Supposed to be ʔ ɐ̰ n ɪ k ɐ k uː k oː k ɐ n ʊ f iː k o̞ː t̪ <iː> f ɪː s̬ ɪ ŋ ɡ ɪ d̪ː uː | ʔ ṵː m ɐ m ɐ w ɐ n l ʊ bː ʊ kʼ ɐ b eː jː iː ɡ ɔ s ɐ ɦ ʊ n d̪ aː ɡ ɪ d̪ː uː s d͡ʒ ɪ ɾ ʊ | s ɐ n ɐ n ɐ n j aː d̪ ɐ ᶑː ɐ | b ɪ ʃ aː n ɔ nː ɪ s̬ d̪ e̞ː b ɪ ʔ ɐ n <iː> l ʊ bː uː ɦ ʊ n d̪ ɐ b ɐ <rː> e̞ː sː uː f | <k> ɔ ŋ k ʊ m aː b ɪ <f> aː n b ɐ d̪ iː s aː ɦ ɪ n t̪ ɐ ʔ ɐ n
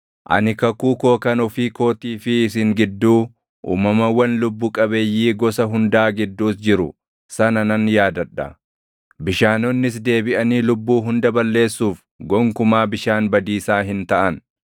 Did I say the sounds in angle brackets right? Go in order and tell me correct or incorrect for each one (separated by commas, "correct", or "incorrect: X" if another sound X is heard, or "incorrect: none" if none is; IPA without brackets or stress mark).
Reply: correct, correct, incorrect: lː, incorrect: ɡ, incorrect: ʃ